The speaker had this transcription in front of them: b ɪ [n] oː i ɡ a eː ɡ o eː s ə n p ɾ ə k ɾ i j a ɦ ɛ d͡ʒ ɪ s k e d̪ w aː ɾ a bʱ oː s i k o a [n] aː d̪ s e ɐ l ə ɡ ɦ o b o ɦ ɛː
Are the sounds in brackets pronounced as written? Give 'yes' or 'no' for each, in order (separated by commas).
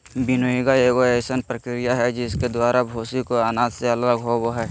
yes, yes